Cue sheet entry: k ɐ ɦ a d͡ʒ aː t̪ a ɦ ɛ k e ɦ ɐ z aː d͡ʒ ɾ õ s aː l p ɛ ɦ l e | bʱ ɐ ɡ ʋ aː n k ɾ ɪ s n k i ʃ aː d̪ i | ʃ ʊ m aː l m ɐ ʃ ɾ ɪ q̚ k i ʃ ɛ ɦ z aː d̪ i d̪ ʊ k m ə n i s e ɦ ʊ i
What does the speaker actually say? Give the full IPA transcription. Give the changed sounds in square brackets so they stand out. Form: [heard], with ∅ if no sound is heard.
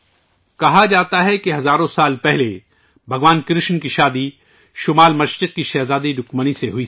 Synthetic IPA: k ɐ ɦ a d͡ʒ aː t̪ a ɦ ɛ k e ɦ ɐ z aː [∅] ɾ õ s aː l p ɛ ɦ l e | bʱ ɐ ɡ ʋ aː n k ɾ ɪ [ʃ] n k i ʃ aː d̪ i | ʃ ʊ m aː l m ɐ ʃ ɾ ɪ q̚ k i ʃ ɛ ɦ z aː d̪ i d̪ ʊ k m ə n i s e ɦ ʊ i